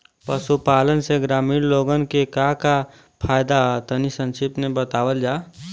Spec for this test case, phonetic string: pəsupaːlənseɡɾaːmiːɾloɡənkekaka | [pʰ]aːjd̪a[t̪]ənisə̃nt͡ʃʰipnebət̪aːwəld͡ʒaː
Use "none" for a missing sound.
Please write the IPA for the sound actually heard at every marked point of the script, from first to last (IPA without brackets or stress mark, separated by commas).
pʰ, t̪